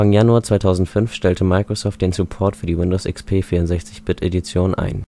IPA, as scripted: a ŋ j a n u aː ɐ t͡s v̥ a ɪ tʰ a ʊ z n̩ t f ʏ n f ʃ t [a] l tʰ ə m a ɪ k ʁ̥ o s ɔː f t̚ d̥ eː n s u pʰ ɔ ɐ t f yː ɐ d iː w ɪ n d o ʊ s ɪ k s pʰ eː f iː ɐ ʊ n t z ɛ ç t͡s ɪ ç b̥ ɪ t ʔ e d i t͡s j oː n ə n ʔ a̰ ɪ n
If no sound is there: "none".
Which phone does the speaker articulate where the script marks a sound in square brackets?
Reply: ɛ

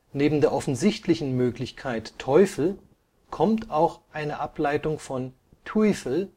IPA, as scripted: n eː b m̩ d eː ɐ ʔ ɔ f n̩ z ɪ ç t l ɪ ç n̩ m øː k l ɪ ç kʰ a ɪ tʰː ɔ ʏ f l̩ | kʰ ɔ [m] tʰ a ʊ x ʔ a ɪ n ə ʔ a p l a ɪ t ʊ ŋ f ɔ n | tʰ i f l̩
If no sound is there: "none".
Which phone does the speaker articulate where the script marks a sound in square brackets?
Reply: m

